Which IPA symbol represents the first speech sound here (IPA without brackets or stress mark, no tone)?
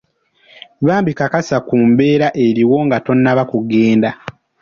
β